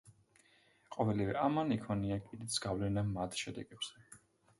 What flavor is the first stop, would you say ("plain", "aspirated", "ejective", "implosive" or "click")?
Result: ejective